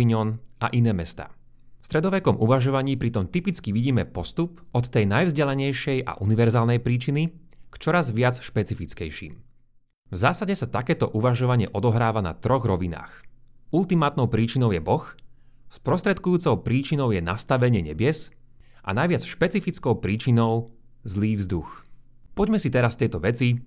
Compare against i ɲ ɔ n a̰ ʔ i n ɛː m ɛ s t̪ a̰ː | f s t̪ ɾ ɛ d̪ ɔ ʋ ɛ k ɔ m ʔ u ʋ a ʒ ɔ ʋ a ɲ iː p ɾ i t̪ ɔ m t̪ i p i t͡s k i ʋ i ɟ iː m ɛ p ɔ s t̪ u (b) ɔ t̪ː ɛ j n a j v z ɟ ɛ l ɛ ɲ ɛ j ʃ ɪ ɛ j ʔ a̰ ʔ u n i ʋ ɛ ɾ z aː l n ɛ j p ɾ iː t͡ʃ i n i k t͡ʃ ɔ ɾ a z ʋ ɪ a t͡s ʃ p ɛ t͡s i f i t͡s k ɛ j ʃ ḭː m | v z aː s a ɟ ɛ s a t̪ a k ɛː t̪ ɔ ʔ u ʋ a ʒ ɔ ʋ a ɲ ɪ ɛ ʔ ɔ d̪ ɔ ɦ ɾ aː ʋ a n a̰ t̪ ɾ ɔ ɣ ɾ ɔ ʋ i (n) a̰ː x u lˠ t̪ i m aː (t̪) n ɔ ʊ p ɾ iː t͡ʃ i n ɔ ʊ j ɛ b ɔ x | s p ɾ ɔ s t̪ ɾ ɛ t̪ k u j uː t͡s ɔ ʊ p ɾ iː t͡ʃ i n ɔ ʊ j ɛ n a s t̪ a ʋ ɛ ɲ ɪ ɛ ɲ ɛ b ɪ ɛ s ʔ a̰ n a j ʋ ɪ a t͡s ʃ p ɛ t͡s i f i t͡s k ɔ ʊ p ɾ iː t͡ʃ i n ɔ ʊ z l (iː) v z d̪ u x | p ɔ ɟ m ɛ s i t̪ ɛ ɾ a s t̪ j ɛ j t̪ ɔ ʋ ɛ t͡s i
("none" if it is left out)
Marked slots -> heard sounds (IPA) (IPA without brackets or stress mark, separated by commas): p, n, t̪, iː